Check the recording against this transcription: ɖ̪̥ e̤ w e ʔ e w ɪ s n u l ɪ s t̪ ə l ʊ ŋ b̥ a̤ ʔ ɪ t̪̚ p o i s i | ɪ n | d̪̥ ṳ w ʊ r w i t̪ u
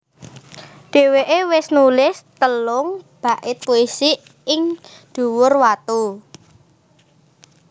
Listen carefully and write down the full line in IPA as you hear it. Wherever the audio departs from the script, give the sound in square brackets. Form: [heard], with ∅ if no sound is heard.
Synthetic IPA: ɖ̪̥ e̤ w e ʔ e w ɪ s n u l ɪ s t̪ ə l ʊ ŋ b̥ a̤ ʔ ɪ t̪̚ p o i s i | ɪ [ŋ] | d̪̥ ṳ w ʊ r w [a] t̪ u